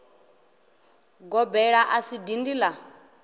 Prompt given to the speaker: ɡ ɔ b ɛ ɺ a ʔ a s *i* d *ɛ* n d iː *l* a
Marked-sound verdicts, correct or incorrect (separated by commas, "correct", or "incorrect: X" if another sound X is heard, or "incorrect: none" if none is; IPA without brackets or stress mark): correct, incorrect: i, correct